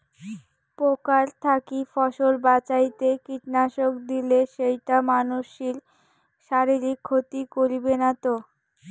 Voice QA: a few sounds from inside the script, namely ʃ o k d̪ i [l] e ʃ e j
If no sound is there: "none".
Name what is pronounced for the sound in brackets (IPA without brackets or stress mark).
l